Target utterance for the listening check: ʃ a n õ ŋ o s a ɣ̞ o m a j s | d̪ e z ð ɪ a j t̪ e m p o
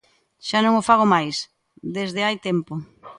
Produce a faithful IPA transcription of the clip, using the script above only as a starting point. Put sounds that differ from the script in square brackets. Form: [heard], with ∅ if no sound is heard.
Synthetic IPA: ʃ a n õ ŋ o [f] a ɣ̞ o m a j s | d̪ e z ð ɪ a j t̪ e m p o